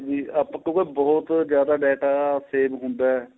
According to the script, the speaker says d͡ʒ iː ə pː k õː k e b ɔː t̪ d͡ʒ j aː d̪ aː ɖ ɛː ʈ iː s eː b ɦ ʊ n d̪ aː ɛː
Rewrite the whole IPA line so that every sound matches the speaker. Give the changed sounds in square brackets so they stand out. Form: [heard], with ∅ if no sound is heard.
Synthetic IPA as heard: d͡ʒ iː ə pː k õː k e b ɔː t̪ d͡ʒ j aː d̪ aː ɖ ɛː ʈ [aː] s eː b ɦ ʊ n d̪ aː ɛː